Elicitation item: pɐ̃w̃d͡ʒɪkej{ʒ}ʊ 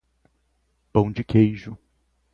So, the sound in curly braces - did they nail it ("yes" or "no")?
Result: yes